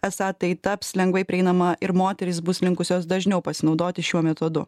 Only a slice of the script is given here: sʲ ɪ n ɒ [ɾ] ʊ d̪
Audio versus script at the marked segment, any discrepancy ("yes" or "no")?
yes